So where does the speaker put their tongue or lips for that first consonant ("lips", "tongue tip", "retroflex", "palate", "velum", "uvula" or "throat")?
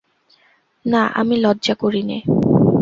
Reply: tongue tip